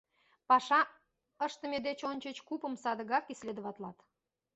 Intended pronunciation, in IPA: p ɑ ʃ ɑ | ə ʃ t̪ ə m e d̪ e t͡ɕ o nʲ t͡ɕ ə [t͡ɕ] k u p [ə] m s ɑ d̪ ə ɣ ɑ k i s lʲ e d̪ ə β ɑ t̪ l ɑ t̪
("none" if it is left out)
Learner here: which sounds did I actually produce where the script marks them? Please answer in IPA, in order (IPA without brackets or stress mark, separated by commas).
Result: t͡ɕ, ə